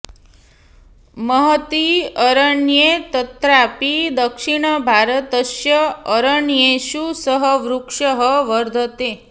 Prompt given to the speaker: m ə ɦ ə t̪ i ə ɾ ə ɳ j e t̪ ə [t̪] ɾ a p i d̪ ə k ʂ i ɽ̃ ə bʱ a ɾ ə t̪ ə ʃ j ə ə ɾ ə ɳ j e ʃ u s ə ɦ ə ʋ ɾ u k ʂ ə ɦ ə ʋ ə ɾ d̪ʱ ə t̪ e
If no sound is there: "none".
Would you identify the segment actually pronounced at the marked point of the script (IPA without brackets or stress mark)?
t̪